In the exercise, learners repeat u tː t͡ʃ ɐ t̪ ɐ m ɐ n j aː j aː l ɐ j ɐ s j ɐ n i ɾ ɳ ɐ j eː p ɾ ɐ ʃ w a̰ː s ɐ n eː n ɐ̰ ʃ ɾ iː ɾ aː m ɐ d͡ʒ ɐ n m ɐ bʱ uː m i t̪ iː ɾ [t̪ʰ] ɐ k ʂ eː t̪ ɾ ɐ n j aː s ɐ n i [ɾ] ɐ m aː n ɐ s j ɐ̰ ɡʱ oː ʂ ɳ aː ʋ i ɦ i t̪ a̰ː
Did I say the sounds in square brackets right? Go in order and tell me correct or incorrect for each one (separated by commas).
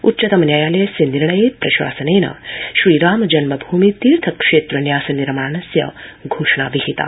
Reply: correct, correct